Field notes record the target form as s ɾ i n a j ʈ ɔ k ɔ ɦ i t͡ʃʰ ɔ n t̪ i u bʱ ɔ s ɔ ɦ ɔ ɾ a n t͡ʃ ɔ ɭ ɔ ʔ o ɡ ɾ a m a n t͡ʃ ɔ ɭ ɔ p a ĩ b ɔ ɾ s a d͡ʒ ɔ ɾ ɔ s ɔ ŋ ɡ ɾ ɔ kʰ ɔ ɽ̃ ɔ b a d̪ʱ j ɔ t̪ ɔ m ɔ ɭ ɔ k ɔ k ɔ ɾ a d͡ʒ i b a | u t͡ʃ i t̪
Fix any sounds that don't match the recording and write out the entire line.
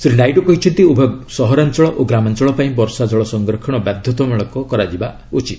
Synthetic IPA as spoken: s ɾ i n a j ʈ ɔ k ɔ ɦ i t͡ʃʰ ɔ n t̪ i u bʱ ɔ s ɔ ɦ ɔ ɾ a n t͡ʃ ɔ ɭ ɔ ʔ o ɡ ɾ a m a n t͡ʃ ɔ ɭ ɔ p a ĩ b ɔ ɾ s a d͡ʒ ɔ ɭ ɔ s ɔ ŋ ɡ ɾ ɔ kʰ ɔ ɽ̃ ɔ b a d̪ʱ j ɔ t̪ ɔ m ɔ ɭ ɔ k ɔ k ɔ ɾ a d͡ʒ i b a | u t͡ʃ i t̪